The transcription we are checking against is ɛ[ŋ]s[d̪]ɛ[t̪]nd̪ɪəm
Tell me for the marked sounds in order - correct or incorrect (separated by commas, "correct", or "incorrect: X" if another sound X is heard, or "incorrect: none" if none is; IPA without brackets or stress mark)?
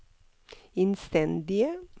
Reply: incorrect: n, incorrect: t̪, incorrect: none